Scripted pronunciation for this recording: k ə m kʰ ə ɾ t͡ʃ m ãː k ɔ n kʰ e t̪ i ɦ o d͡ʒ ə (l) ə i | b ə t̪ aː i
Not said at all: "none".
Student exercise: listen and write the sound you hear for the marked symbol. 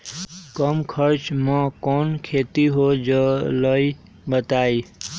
l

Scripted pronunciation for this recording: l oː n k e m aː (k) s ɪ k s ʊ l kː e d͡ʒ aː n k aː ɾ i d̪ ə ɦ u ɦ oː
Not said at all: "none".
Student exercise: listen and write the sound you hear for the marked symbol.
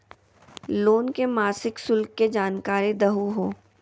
none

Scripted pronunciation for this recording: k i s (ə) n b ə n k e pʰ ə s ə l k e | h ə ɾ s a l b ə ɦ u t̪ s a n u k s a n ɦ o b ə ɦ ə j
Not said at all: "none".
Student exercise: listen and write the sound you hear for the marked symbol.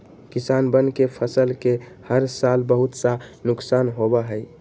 a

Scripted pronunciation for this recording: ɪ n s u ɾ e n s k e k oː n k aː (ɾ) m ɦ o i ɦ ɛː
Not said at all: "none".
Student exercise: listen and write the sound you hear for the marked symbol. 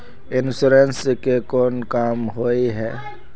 none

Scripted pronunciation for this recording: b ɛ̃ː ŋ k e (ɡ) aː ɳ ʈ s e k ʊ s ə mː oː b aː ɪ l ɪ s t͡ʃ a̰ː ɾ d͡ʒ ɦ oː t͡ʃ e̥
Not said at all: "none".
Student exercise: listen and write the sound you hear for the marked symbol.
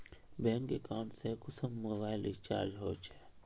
k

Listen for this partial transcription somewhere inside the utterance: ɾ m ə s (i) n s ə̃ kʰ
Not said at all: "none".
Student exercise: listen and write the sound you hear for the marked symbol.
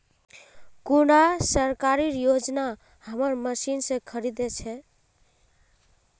i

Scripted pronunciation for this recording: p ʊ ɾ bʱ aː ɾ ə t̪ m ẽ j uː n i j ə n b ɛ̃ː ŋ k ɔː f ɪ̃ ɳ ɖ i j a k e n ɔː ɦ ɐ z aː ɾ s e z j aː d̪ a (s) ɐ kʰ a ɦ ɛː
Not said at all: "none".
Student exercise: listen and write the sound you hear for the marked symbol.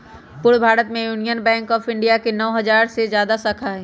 s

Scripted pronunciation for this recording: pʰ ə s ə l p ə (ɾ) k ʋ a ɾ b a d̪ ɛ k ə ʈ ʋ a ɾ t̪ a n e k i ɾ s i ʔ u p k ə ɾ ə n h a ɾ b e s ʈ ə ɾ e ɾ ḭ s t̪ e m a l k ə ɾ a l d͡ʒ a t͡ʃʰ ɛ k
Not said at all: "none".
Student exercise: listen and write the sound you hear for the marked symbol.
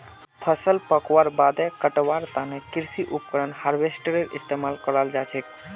none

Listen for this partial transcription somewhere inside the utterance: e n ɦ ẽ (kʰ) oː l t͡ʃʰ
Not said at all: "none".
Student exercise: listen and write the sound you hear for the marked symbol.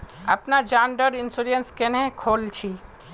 kʰ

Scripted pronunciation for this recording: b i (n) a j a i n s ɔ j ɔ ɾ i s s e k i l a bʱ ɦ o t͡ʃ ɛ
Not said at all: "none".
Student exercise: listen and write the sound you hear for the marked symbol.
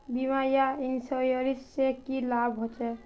m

